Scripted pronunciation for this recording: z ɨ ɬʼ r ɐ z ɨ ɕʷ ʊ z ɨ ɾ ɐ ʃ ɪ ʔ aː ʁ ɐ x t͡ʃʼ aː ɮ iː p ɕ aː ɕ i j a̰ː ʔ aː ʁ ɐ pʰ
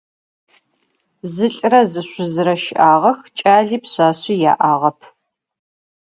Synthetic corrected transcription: z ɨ ɬʼ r ɐ z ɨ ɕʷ ʊ z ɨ ɾ ɐ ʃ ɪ ʔ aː ʁ ɐ x t͡ʃʼ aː ɮ iː p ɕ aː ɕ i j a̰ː ʔ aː ʁ ɐ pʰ

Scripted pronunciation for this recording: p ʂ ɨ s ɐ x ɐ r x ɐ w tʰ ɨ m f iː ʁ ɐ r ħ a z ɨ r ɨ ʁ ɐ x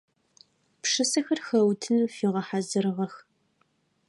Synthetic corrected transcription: p ʂ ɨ s ɐ x ɐ r x ɐ w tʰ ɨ n f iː ʁ ɐ ħ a z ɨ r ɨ ʁ ɐ x

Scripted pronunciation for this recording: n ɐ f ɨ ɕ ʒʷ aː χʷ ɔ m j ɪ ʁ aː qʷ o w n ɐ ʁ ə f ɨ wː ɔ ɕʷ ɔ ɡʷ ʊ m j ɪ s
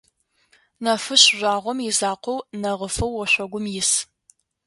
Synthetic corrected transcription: n ɐ f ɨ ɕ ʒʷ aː ʁʷ ɔ m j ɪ z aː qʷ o w n ɐ ʁ ə f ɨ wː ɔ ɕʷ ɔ ɡʷ ʊ m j ɪ s

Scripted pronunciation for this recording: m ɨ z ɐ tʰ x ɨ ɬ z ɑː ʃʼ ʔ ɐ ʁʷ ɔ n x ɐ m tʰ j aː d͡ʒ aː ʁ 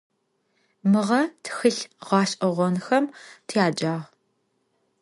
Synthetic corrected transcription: m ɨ ʁ ɐ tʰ x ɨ ɬ ʁ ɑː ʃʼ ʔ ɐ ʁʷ ɔ n x ɐ m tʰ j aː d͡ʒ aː ʁ

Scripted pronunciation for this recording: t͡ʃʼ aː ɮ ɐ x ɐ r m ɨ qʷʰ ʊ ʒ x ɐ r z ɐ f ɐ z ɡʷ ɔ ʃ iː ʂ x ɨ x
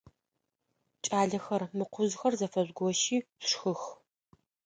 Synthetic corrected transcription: t͡ʃʼ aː ɮ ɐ x ɐ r m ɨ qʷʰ ʊ z x ɐ r z ɐ f ɐ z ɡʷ ɔ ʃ iː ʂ x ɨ x

